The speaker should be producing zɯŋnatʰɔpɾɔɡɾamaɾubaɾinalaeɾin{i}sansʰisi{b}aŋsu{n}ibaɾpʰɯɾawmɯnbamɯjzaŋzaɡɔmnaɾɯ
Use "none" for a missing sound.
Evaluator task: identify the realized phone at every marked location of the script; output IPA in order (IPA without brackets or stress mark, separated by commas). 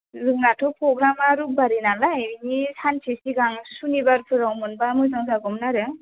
i, ɡ, n